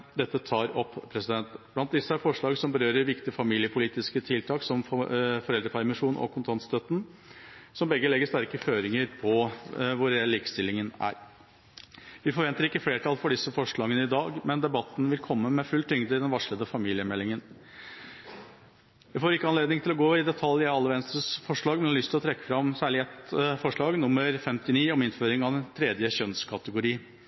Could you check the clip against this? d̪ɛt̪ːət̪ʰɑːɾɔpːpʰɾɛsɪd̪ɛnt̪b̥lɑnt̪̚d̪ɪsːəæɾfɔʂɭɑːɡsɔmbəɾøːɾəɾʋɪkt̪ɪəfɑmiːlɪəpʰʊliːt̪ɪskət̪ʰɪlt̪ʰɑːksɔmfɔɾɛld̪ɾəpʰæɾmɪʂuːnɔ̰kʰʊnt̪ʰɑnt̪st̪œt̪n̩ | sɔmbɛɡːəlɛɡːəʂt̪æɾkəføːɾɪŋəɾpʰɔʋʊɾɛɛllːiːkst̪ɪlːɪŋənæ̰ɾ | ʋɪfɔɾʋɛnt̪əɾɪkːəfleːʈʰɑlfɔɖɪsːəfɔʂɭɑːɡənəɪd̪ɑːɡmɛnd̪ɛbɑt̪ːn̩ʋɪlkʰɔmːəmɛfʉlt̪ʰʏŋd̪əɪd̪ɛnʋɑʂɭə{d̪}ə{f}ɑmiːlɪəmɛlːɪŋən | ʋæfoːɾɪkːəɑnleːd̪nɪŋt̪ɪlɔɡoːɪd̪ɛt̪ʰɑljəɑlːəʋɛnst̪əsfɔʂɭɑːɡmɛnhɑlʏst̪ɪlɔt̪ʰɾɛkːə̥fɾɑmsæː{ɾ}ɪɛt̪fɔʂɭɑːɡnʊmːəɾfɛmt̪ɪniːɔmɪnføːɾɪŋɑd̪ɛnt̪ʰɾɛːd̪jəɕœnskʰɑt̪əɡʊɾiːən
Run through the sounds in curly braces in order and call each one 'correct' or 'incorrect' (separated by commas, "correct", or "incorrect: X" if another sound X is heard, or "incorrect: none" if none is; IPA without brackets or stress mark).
correct, correct, incorrect: ɭ